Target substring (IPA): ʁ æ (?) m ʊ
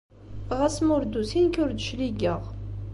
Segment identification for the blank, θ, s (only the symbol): s